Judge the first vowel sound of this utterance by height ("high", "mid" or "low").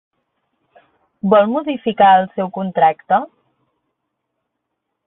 mid